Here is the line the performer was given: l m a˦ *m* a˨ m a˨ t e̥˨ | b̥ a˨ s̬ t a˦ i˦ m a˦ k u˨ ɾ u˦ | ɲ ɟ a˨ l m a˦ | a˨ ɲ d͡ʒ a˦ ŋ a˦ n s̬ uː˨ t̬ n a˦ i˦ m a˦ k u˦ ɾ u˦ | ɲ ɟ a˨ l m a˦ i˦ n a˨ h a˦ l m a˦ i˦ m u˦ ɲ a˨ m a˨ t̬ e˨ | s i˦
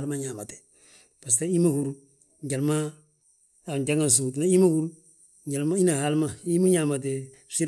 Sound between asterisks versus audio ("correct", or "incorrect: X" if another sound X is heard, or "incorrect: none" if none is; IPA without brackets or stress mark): incorrect: ɲ